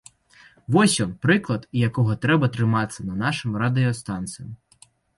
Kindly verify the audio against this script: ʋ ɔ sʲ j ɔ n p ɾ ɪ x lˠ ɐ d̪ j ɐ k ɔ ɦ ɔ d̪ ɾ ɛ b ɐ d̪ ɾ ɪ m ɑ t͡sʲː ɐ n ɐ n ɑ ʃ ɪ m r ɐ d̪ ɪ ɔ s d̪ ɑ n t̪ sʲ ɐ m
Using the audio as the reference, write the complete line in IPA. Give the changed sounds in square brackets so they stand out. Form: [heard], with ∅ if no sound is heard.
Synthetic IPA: ʋ ɔ sʲ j ɔ n p ɾ ɪ [k] lˠ ɐ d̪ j ɐ k ɔ ɦ ɔ [t̪] ɾ ɛ b ɐ [t̪] ɾ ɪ m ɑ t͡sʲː ɐ n ɐ n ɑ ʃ ɪ m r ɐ d̪ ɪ ɔ s [t̪] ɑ n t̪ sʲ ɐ m